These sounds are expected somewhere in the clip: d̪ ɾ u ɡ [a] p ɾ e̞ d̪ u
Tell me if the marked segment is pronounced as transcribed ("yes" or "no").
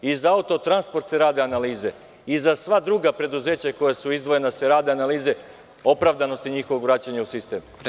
yes